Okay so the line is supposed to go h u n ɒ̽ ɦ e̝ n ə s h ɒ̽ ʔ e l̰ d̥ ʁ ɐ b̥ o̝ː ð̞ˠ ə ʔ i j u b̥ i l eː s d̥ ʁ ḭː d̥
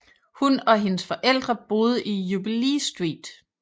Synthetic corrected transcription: h u n ɒ̽ ɦ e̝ n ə s f ɒ̽ ʔ e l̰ d̥ ʁ ɐ b̥ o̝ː ð̞ˠ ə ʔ i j u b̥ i l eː s d̥ ʁ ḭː d̥